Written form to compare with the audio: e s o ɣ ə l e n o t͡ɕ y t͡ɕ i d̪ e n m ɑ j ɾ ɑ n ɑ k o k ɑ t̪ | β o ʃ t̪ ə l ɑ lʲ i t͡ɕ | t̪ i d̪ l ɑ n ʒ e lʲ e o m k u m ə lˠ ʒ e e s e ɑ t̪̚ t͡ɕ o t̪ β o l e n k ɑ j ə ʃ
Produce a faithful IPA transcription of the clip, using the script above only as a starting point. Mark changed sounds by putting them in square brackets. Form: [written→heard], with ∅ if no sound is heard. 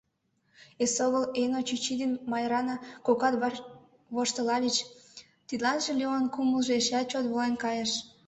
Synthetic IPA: e s o ɣ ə l e n o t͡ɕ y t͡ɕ i d̪ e n m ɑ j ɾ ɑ n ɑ k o k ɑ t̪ | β o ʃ t̪ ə l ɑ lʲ i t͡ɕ | t̪ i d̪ l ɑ n ʒ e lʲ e o [m→n] k u m ə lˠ ʒ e e [s→ʃ] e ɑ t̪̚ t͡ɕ o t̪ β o l e n k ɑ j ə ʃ